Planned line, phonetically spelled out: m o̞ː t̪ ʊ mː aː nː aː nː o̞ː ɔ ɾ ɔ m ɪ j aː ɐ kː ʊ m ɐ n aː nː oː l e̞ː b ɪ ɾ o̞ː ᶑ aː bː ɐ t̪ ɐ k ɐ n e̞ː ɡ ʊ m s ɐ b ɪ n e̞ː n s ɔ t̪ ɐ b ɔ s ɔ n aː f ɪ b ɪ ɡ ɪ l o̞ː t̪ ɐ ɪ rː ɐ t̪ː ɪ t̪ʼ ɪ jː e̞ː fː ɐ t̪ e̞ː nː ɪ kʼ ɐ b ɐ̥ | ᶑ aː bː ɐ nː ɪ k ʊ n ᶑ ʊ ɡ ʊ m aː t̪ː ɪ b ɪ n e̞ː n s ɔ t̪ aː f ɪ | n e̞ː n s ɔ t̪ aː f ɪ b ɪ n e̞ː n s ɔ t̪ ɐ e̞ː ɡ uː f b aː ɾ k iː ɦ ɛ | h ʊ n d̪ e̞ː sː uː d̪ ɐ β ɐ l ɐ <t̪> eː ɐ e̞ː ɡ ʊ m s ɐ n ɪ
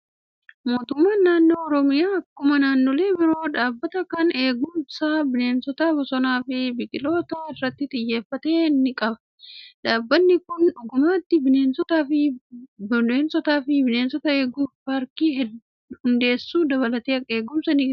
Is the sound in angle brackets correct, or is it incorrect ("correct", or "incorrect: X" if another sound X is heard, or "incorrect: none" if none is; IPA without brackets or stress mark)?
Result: correct